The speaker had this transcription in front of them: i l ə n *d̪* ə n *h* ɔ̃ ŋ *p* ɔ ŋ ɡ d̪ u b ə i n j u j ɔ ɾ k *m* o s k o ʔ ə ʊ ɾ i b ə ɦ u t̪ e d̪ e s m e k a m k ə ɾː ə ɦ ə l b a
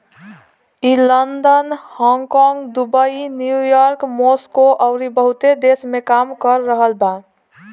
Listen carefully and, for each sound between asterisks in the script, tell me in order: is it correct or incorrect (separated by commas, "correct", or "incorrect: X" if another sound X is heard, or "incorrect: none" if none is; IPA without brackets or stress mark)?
correct, correct, incorrect: k, correct